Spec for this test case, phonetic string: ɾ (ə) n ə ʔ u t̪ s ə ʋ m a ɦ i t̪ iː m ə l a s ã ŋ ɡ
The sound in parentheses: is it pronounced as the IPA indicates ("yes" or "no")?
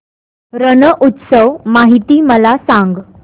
yes